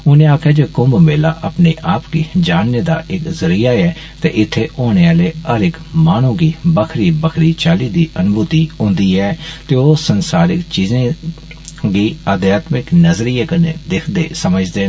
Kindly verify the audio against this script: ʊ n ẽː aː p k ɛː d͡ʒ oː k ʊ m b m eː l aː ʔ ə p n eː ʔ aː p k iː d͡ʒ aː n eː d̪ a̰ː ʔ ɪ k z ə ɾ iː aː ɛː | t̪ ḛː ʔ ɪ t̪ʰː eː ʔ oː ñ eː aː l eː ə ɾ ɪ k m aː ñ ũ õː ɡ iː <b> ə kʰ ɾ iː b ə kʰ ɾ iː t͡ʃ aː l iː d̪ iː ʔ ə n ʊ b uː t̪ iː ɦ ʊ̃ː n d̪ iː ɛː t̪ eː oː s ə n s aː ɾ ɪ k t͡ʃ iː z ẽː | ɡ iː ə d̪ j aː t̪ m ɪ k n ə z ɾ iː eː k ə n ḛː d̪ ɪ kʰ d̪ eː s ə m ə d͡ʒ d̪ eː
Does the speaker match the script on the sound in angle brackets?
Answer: yes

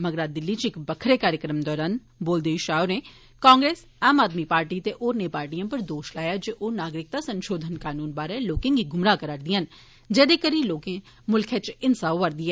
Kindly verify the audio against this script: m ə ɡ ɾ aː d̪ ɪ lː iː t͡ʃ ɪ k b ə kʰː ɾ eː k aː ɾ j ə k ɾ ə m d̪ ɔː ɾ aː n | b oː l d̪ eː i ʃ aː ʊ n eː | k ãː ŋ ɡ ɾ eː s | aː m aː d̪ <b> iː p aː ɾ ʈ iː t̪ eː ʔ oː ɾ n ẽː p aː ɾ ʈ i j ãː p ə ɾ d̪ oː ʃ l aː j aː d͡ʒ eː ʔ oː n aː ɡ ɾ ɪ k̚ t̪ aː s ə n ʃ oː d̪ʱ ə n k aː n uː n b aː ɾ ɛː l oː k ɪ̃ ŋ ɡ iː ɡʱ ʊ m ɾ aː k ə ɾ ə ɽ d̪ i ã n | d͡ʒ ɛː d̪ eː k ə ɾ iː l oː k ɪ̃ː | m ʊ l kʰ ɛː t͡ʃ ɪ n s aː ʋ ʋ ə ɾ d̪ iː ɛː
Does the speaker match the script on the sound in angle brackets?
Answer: no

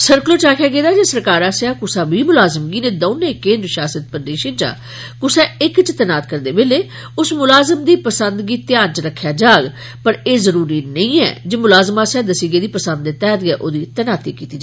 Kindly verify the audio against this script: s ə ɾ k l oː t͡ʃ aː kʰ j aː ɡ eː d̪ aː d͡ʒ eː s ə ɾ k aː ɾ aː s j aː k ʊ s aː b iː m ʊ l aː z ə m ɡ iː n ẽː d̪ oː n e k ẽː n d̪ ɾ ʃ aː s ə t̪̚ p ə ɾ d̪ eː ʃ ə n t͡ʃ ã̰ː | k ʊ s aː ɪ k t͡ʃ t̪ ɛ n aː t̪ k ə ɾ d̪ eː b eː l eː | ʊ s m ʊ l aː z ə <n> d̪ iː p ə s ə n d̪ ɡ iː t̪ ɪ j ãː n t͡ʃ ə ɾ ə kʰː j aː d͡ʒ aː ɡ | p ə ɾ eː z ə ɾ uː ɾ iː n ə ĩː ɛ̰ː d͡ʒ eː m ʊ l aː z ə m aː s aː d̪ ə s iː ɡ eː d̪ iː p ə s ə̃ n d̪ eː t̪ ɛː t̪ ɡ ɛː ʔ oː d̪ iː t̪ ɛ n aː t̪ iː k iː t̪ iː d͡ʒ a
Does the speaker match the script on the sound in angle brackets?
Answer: no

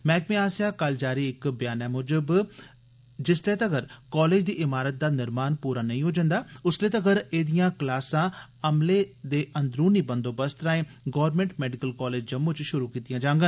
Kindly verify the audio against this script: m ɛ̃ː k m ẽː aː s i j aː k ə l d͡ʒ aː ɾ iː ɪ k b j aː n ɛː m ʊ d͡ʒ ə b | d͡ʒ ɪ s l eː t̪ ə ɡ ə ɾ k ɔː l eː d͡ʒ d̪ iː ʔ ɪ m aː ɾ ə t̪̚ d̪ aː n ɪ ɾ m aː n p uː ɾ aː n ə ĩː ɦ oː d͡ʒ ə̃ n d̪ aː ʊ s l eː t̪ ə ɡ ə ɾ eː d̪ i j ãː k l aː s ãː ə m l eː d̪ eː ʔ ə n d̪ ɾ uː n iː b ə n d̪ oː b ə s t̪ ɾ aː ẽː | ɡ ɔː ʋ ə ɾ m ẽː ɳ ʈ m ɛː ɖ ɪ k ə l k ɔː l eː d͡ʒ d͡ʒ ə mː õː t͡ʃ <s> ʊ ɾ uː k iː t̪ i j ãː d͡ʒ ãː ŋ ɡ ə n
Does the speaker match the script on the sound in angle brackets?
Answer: no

